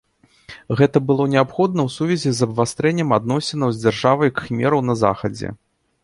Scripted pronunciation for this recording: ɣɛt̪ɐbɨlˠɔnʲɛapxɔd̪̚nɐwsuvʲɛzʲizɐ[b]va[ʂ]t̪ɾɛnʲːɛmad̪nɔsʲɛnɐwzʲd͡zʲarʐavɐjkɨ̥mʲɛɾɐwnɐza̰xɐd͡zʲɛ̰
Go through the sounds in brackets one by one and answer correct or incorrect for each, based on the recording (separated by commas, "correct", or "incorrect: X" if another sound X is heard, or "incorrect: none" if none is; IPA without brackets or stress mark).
correct, incorrect: s